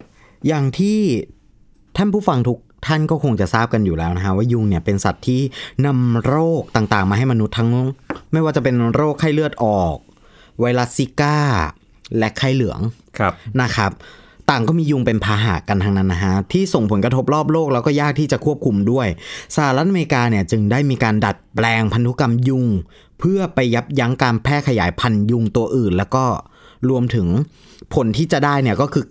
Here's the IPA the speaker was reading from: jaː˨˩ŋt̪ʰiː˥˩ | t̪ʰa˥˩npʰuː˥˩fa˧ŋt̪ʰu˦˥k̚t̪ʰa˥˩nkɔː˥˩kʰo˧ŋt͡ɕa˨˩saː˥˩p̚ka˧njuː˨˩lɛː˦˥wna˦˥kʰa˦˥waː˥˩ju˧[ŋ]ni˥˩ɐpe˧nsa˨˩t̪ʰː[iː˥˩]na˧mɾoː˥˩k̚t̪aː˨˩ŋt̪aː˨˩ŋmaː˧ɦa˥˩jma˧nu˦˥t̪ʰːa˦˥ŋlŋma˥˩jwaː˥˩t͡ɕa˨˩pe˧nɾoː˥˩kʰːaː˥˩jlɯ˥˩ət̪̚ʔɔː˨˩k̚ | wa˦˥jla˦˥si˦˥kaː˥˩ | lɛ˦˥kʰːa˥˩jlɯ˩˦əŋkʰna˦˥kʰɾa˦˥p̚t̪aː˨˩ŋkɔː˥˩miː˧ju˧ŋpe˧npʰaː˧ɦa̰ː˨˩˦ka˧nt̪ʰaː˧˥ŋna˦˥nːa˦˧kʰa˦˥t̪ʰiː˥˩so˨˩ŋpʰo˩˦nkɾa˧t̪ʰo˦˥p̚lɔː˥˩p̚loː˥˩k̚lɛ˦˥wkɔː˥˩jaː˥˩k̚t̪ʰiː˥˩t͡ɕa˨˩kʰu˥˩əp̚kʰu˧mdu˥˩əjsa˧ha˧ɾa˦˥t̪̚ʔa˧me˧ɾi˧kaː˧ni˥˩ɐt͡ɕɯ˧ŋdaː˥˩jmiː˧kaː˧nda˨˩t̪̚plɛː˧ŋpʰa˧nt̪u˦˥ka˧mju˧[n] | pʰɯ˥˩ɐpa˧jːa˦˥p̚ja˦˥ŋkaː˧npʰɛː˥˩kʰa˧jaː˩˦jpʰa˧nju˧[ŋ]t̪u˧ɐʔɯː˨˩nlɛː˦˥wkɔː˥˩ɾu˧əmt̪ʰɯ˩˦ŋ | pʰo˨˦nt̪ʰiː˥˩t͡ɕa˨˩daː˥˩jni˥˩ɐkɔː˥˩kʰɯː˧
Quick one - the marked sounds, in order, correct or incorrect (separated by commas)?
correct, correct, incorrect, correct